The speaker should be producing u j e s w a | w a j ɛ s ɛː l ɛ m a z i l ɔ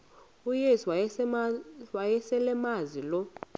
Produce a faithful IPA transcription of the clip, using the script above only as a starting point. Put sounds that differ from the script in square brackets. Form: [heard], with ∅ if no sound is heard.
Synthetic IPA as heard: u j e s w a | w a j ɛ s [ɛ] l ɛ m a z i l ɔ